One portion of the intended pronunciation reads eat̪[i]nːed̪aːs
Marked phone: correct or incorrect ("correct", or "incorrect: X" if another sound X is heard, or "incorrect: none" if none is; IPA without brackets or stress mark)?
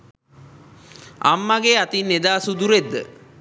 correct